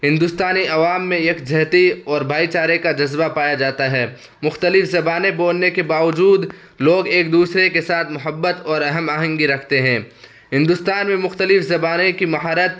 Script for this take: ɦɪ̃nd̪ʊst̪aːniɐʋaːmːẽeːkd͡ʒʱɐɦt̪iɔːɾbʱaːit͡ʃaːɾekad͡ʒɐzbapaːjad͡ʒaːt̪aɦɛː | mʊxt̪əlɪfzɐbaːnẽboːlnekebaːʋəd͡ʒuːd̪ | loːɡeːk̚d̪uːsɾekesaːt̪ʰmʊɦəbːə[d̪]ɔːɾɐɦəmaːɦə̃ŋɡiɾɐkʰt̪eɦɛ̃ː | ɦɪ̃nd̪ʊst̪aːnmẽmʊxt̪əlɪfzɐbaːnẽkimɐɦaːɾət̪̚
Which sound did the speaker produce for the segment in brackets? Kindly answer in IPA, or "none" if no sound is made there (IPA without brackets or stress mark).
t̪